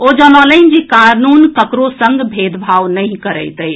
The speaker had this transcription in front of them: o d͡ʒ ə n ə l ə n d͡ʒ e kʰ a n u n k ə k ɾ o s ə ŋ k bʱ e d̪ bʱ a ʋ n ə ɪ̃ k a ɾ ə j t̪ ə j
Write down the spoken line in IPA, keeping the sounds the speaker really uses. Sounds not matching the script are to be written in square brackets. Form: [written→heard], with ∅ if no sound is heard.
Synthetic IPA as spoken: o d͡ʒ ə n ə l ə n d͡ʒ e [kʰ→k] a n u n k ə k ɾ o s ə ŋ [k→ɡ] bʱ e d̪ bʱ a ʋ n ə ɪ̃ k [a→ə] ɾ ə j t̪ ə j